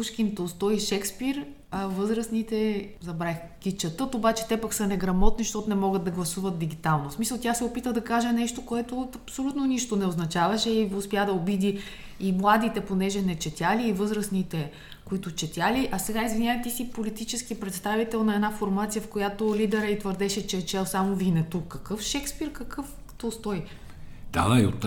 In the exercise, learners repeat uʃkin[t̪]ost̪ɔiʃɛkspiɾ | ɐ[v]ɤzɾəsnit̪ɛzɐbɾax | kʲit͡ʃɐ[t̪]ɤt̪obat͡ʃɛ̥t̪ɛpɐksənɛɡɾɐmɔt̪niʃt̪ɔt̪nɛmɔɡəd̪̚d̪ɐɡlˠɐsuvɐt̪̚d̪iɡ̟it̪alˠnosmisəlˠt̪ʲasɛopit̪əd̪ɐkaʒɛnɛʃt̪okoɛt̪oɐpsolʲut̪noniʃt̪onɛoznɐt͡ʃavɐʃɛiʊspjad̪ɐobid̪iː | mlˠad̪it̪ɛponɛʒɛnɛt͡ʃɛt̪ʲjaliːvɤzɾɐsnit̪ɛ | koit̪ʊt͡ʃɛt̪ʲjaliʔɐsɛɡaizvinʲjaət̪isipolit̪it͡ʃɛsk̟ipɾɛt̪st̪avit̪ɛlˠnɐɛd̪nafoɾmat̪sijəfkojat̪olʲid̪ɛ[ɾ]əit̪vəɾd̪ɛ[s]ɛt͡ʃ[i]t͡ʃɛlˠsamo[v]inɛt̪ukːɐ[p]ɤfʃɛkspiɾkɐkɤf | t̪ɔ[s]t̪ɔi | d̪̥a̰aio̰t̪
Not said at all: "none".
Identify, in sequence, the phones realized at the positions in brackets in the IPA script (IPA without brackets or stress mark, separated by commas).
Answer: t̪, v, t̪, ɾ, ʃ, ɛ, v, k, s